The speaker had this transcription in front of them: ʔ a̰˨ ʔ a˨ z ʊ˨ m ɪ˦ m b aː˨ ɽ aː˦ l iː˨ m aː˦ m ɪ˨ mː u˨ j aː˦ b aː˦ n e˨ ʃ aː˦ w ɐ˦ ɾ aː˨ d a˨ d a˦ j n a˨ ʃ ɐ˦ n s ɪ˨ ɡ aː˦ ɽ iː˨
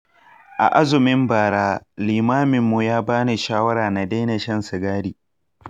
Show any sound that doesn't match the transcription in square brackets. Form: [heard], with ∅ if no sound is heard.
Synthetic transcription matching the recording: ʔ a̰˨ ʔ [a˦] z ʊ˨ m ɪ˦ m b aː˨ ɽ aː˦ l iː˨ m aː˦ m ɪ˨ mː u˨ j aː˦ b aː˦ n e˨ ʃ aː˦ w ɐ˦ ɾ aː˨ [n] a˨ d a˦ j n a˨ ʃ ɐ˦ n s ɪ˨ ɡ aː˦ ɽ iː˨